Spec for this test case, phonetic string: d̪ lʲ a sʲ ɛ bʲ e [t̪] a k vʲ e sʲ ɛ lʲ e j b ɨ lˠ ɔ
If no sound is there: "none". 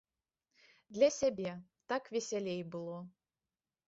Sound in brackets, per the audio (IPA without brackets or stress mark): t̪